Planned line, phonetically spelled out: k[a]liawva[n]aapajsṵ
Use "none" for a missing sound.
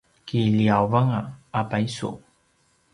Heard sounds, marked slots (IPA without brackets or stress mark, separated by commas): i, ŋ